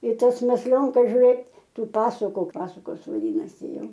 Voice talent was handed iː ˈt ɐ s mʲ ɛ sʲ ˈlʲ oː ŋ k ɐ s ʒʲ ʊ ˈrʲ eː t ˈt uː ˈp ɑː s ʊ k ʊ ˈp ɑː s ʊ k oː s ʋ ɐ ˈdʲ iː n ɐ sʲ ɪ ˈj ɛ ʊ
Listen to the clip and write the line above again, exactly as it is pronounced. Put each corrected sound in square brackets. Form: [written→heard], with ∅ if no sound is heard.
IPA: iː ˈt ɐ s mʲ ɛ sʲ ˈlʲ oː ŋ k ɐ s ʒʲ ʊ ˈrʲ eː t ˈt uː ˈp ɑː s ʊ k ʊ ˈp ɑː s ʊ k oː s ʋ ɐ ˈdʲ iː n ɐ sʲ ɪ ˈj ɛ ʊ